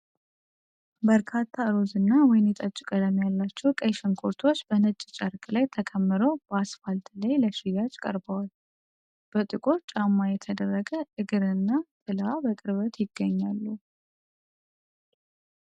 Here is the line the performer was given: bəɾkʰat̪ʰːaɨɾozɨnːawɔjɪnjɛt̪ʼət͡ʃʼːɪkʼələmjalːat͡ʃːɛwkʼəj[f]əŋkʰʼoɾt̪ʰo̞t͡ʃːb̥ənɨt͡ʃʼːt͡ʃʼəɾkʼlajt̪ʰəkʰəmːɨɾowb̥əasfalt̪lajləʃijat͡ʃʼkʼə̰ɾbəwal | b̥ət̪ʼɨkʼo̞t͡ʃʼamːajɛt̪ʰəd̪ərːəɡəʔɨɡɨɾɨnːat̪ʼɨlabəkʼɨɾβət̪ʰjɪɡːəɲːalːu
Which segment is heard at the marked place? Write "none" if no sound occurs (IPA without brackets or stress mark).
ʃ